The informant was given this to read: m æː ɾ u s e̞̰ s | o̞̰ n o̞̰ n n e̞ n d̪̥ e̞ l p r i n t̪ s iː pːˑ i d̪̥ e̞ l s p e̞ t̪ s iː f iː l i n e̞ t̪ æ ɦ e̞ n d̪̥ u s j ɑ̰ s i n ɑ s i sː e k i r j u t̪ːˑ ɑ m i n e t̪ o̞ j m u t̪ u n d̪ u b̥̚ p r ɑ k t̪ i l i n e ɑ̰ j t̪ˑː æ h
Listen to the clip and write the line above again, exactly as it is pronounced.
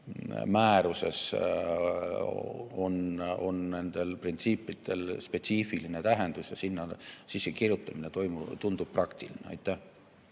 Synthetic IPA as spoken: m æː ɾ u s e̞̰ s | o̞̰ n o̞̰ n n e̞ n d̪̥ e̞ l p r i n t̪ s iː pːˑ i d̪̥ e̞ l s p e̞ t̪ s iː f i l i n e̞ t̪ æ ɦ e̞ n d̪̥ u s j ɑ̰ s i nː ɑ s i sː e k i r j u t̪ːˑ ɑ m i n e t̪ o̞ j m u t̪ u n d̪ u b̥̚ p r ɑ k t̪ i l i n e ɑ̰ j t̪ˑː æ h